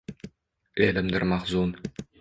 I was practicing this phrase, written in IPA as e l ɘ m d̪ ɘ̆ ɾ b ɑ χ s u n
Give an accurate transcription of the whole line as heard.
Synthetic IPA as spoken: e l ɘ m d̪ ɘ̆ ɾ m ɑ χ z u n

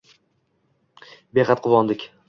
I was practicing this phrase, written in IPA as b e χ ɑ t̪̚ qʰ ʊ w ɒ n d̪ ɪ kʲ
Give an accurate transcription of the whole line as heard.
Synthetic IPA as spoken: b e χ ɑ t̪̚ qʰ ʊ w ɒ n d̪ ɪ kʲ

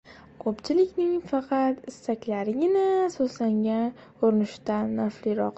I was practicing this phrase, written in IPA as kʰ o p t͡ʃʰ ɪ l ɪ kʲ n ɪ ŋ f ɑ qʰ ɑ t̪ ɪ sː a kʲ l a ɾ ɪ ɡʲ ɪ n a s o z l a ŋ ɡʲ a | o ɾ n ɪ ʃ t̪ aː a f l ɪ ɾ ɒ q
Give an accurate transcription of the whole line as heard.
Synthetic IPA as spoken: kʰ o p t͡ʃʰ ɪ l ɪ kʲ n ɪ ŋ f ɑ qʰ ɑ t̪ ɪ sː a kʲ l a ɾ ɪ ɡʲ ɪ n a s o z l a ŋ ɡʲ a | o ɾ n ɪ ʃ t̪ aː a f l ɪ ɾ ɒ q

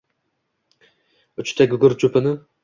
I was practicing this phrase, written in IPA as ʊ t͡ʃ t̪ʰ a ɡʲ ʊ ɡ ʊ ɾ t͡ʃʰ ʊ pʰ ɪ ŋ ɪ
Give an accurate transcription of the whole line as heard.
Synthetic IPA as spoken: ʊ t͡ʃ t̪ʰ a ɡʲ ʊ ɡ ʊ ɾ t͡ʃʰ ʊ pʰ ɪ n ɪ

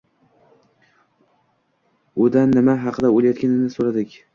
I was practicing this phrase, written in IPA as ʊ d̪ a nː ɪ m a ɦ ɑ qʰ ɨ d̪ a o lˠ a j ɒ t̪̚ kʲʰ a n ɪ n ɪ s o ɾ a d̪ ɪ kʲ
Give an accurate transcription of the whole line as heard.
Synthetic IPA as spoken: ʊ d̪ a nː ɪ m a ɦ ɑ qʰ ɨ d̪ a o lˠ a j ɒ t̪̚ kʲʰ a n ɪ n ɪ s o ɾ a d̪ ɪ kʲ

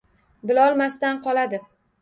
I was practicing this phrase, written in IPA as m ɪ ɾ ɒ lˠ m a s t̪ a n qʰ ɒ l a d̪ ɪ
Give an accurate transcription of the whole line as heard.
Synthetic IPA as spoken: b ɪ l ɒ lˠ m a s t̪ a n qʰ ɒ l a d̪ ɪ

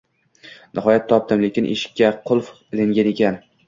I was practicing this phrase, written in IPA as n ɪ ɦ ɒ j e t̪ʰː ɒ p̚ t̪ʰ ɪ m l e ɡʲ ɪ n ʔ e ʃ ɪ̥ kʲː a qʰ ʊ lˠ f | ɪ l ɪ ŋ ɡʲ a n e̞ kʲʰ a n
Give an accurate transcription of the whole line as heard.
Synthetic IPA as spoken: n ɪ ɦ ɒ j a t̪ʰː ɒ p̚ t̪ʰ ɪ m l e kʲ ɪ n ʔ e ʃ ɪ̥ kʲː a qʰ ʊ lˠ f | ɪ l ɪ ŋ ɡʲ a n e̞ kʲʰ a n

